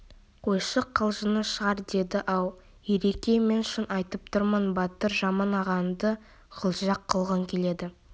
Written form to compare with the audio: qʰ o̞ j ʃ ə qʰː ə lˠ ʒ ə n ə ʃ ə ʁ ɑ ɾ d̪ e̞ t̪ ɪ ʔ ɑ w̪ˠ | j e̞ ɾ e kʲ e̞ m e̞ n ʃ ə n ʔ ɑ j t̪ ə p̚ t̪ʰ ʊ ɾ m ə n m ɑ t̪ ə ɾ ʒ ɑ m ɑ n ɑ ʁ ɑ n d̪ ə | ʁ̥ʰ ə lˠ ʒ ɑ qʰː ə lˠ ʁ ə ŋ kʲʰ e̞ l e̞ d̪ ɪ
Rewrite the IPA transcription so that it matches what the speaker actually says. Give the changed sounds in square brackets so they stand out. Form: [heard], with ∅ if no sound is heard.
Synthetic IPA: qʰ o̞ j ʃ ə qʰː ə lˠ ʒ ə n ə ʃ ə ʁ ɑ ɾ d̪ e̞ [d̪] ɪ ʔ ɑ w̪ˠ | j e̞ ɾ e kʲ e̞ m e̞ n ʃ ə n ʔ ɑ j t̪ ə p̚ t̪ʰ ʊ ɾ m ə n [b] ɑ t̪ ə ɾ ʒ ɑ m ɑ n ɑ ʁ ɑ n d̪ ə | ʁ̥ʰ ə lˠ ʒ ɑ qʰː ə lˠ ʁ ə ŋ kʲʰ e̞ l e̞ d̪ ɪ